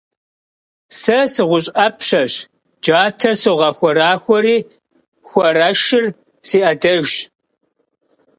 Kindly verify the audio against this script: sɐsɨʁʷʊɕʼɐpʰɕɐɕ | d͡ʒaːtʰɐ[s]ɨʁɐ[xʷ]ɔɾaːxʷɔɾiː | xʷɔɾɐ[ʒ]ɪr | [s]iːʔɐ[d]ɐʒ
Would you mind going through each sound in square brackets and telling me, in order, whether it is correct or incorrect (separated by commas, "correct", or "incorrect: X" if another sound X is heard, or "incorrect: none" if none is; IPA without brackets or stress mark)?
correct, correct, incorrect: ʃ, correct, correct